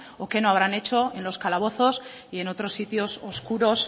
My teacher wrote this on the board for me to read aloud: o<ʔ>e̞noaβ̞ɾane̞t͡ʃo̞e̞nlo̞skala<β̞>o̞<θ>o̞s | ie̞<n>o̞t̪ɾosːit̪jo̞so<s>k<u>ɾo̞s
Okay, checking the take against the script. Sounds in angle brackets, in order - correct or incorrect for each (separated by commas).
incorrect, correct, correct, correct, correct, correct